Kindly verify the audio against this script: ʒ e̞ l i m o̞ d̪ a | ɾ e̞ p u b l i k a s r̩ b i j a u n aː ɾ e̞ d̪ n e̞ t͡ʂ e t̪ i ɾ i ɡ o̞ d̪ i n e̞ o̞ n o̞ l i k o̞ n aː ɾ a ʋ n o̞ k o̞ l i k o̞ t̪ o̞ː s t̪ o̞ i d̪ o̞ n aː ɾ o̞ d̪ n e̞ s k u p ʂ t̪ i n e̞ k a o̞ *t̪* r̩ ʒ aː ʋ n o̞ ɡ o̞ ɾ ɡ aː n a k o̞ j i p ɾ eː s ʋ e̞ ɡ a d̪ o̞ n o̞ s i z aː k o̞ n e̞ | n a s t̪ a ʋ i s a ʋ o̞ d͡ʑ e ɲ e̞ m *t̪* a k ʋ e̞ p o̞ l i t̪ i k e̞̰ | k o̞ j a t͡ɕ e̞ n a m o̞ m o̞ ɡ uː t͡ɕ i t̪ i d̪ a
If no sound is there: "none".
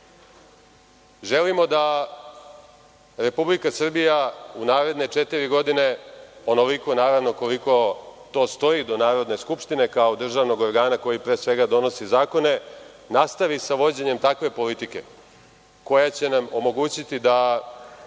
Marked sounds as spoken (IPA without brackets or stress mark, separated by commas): d̪, t̪